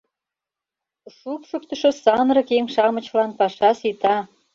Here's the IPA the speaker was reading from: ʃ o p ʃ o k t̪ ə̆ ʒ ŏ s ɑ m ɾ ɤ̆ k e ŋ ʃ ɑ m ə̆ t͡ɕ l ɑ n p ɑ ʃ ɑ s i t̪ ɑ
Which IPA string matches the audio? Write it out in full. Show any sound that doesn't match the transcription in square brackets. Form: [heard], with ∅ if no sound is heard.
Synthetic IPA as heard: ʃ [u] p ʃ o k t̪ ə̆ [ʃ] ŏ s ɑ [n] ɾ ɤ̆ k e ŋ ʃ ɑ m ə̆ t͡ɕ l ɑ n p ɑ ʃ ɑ s i t̪ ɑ